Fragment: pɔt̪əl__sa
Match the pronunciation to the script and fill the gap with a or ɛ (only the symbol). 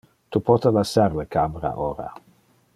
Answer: a